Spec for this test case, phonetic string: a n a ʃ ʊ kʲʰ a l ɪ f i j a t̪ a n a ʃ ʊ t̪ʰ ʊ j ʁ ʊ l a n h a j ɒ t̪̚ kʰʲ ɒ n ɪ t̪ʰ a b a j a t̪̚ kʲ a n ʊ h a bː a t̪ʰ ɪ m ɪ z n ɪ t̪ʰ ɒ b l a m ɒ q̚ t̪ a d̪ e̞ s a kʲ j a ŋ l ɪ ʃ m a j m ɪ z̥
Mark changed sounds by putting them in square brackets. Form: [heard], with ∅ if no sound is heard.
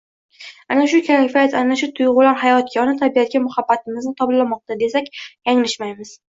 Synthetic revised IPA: a n a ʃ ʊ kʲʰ a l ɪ f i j a t̪ a n a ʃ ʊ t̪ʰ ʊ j ʁ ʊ l a n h a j ɒ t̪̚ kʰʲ ɒ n ɪ t̪ʰ a b [i] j a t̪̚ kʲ a [m] ʊ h a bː a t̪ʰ ɪ m ɪ z n ɪ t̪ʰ ɒ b l a m ɒ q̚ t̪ a d̪ e̞ s a kʲ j a ŋ l ɪ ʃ m a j m ɪ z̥